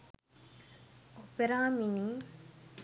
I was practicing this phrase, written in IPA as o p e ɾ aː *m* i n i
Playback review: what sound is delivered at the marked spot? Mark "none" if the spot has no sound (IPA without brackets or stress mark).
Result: m